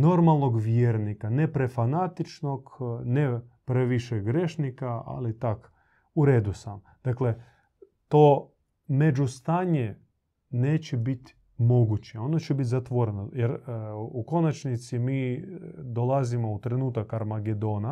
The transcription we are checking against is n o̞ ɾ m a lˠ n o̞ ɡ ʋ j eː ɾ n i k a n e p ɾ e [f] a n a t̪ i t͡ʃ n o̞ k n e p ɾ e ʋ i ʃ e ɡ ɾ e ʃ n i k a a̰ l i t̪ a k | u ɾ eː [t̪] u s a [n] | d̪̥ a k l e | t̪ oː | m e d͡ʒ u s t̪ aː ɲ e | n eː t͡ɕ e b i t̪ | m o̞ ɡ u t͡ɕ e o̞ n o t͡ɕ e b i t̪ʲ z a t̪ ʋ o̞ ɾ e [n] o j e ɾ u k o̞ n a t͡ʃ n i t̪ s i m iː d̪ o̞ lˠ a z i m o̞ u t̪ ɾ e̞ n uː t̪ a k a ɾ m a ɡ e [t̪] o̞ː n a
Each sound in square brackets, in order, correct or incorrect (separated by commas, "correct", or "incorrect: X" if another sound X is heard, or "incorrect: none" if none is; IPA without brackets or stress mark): correct, incorrect: d̪, incorrect: m, correct, incorrect: d̪